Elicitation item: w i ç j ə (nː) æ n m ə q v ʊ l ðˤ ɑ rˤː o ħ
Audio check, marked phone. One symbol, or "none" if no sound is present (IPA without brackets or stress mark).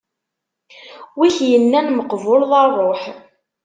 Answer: nː